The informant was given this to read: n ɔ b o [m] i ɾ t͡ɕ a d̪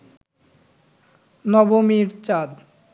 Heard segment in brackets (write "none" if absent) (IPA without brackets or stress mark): m